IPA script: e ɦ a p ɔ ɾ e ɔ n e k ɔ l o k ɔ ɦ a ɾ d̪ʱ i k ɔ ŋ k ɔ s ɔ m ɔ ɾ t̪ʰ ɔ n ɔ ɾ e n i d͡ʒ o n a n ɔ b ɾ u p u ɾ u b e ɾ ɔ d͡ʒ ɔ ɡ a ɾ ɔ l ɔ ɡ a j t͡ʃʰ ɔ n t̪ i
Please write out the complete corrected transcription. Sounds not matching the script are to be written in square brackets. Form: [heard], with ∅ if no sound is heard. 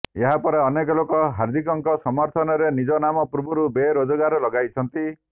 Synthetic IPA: e ɦ a p ɔ ɾ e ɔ n e k ɔ l o k ɔ ɦ a ɾ d̪ʱ i k ɔ ŋ k ɔ s ɔ m ɔ ɾ t̪ʰ ɔ n ɔ ɾ e n i d͡ʒ [ɔ] n a [m] ɔ [p] ɾ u [b] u ɾ u b e ɾ [o] d͡ʒ ɔ ɡ a ɾ ɔ l ɔ ɡ a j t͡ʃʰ ɔ n t̪ i

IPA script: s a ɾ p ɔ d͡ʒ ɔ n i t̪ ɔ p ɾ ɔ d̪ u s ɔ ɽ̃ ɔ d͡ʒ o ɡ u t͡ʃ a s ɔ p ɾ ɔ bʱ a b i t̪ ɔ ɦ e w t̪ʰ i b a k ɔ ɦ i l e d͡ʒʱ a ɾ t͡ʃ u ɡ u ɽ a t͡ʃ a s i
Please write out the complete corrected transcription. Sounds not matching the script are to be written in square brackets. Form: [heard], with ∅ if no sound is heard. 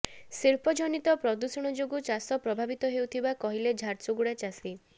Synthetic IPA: s [i] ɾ p ɔ d͡ʒ ɔ n i t̪ ɔ p ɾ ɔ d̪ u s ɔ ɽ̃ ɔ d͡ʒ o ɡ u t͡ʃ a s ɔ p ɾ ɔ bʱ a b i t̪ ɔ ɦ e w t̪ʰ i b a k ɔ ɦ i l e d͡ʒʱ a ɾ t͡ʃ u ɡ u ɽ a t͡ʃ a s i

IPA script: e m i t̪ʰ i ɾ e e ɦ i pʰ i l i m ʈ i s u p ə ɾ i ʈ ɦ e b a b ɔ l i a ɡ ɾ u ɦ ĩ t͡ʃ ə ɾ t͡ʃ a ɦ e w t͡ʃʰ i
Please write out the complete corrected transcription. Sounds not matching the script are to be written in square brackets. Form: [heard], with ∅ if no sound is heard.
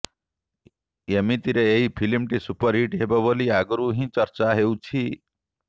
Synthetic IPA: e m i [t̪] i ɾ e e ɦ i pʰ i l i m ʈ i s u p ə ɾ i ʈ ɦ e b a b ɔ l i a ɡ ɾ u ɦ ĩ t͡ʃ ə ɾ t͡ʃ a ɦ e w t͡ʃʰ i

